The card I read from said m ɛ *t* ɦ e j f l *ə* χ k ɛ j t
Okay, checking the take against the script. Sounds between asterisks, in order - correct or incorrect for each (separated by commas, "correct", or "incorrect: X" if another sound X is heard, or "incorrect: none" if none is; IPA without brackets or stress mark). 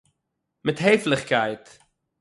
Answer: correct, correct